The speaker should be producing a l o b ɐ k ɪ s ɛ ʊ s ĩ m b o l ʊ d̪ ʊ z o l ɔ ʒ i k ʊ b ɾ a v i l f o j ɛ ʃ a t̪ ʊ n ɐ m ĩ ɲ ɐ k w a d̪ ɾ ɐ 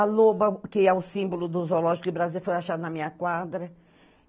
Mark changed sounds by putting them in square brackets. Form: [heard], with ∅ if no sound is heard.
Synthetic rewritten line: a l o b ɐ k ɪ [∅] ɛ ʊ s ĩ m b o l ʊ d̪ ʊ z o l ɔ ʒ i k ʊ b ɾ a [z] i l f o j [a] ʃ a [d̪] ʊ n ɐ m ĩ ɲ ɐ k w a d̪ ɾ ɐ